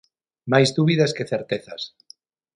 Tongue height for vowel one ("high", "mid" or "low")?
low